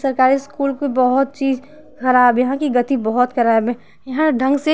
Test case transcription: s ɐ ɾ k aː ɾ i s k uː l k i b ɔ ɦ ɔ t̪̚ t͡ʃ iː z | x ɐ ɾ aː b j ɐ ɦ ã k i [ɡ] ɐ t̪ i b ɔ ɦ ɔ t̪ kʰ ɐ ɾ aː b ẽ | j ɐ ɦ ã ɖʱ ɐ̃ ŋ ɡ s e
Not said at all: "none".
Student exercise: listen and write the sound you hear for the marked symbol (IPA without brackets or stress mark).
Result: ɡ